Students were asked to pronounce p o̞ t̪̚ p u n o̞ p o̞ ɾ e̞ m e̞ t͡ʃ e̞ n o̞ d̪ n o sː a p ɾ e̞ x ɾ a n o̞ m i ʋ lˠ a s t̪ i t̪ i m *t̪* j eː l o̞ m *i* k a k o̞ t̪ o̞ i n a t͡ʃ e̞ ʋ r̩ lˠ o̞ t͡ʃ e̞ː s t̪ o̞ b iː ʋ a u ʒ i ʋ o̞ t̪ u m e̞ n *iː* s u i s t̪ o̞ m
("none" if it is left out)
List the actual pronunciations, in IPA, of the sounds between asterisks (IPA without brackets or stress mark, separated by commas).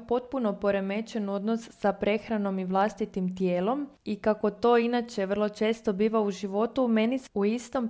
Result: t̪, i, i